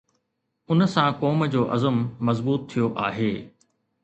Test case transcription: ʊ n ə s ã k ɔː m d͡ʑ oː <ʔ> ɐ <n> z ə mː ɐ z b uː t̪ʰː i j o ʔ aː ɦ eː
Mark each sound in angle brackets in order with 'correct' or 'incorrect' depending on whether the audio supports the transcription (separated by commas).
correct, incorrect